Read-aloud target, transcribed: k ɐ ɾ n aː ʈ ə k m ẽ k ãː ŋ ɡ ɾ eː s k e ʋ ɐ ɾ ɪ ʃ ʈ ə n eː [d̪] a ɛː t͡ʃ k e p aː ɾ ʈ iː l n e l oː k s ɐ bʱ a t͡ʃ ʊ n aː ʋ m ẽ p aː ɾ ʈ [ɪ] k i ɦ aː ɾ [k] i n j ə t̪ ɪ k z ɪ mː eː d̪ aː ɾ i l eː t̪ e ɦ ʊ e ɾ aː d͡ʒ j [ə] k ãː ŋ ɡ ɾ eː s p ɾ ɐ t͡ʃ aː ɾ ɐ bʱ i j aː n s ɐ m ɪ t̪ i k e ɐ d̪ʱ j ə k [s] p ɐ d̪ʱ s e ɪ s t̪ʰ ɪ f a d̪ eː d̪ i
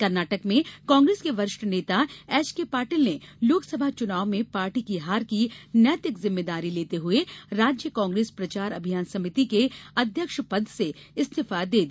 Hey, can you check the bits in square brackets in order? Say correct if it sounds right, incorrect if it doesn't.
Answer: incorrect: t̪, incorrect: i, correct, correct, incorrect: ʃ

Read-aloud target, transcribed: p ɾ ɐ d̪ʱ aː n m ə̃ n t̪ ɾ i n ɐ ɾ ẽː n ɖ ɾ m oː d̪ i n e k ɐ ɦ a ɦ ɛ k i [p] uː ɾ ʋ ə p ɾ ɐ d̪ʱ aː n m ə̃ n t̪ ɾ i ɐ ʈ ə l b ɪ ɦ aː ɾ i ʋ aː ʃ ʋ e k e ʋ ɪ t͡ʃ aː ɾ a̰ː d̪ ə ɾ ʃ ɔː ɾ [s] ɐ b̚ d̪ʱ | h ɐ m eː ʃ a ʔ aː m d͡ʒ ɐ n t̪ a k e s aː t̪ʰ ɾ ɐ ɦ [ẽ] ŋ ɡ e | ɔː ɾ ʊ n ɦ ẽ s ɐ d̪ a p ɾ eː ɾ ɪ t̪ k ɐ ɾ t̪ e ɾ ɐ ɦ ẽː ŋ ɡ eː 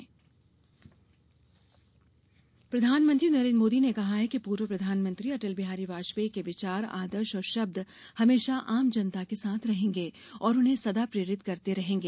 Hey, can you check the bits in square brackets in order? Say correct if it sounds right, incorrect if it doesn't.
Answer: correct, incorrect: ʃ, incorrect: ẽː

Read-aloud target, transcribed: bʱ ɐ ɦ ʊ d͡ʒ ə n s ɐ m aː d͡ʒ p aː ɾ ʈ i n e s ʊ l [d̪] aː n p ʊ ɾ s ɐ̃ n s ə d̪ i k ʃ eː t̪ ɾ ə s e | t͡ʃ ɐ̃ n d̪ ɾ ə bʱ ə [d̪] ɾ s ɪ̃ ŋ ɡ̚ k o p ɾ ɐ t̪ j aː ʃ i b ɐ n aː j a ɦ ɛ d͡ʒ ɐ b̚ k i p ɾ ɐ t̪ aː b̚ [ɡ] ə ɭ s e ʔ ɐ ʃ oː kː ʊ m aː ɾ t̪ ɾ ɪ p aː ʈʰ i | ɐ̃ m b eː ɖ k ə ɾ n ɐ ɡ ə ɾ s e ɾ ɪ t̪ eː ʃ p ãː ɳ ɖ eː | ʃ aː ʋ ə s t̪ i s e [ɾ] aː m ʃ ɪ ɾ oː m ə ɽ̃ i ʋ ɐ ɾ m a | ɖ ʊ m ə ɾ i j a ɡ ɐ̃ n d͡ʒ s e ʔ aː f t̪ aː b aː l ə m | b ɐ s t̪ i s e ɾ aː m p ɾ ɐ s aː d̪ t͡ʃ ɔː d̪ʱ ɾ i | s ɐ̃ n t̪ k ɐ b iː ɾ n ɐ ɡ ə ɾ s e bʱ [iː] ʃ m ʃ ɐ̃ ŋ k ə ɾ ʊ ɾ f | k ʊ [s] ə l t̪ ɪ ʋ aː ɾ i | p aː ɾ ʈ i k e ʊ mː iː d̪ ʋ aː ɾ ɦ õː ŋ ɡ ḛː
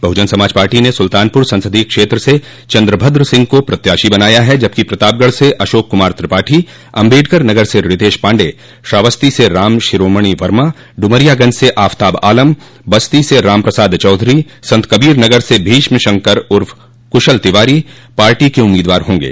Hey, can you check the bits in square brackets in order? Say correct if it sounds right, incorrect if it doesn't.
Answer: incorrect: t̪, correct, correct, correct, correct, incorrect: ʃ

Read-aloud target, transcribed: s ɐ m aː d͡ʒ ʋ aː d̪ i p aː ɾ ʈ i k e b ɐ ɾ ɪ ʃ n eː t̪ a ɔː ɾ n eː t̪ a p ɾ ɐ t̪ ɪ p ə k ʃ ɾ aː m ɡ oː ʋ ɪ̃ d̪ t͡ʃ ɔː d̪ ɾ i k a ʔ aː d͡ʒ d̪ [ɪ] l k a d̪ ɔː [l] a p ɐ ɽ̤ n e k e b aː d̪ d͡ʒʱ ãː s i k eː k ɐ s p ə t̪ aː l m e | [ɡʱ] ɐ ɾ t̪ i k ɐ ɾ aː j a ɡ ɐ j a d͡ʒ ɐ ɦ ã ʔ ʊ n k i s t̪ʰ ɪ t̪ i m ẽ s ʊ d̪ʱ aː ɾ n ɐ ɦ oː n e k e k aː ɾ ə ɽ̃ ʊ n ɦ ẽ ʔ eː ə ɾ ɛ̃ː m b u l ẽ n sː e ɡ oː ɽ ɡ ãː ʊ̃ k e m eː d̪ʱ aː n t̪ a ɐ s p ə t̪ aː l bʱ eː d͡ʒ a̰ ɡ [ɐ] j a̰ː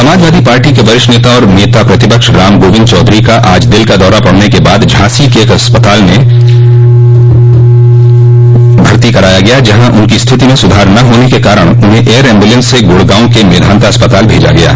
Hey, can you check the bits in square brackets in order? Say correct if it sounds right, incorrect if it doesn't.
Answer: correct, incorrect: ɾ, incorrect: bʱ, correct

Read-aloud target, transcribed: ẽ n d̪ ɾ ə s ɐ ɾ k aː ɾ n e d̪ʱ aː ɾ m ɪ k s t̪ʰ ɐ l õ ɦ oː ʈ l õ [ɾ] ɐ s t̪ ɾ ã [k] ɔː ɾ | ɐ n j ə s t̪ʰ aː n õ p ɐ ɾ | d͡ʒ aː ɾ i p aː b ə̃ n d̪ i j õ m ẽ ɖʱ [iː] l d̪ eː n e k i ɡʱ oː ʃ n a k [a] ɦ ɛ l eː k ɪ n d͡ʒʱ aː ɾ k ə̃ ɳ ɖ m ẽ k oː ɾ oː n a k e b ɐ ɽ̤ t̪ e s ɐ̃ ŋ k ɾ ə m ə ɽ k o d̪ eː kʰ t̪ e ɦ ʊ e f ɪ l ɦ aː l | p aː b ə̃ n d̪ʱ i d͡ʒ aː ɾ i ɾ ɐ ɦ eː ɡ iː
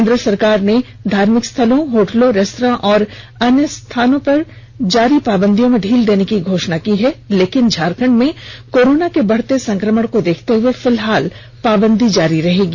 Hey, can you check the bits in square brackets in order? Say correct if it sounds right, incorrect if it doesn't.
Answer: correct, incorrect: ʔ, correct, incorrect: i

